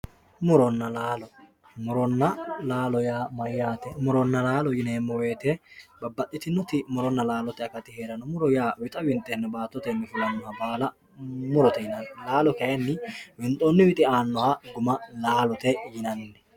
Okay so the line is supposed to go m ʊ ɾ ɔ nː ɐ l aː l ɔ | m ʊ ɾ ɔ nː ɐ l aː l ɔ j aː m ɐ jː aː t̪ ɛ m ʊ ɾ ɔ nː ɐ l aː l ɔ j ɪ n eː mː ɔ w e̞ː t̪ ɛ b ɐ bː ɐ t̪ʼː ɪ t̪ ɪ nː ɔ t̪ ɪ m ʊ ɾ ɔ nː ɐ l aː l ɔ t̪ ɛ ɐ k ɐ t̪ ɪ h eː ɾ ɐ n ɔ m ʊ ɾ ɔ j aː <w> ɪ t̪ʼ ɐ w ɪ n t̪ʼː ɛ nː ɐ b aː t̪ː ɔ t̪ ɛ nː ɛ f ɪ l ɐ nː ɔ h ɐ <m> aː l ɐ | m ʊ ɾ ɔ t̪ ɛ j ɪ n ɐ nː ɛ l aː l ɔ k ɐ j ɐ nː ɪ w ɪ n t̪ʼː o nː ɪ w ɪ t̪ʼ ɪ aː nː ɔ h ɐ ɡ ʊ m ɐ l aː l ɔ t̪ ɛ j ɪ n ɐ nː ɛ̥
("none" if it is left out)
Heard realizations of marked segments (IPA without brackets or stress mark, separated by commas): w, b